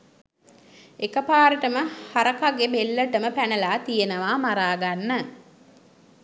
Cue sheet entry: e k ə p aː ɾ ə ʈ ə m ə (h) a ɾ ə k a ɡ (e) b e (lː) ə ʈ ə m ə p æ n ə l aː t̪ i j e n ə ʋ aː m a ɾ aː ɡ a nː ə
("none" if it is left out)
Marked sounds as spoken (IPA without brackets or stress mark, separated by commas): h, e, lː